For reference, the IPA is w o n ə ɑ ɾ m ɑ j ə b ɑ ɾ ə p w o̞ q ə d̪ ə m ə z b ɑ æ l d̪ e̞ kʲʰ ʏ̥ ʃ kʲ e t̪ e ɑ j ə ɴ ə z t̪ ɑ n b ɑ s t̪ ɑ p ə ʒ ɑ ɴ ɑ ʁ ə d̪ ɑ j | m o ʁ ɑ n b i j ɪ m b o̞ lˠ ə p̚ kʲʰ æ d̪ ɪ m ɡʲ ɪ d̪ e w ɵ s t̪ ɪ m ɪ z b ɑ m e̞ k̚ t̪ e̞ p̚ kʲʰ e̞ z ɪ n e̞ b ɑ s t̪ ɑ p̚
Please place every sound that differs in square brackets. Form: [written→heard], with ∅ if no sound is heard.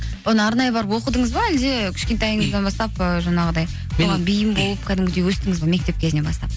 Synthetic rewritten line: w o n ə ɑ ɾ [m→n] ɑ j ə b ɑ ɾ ə p w o̞ q ə d̪ ə [m→ɴ] ə z b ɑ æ l d̪ e̞ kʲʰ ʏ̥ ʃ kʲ e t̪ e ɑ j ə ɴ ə z [t̪→d̪] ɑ n b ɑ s t̪ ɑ p ə ʒ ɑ ɴ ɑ ʁ ə d̪ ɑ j | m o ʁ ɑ n b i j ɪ m b o̞ lˠ ə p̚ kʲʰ æ d̪ ɪ m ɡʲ ɪ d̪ e w ɵ s t̪ ɪ [m→ŋ] ɪ z b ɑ m e̞ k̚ t̪ e̞ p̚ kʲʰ e̞ z ɪ n e̞ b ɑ s t̪ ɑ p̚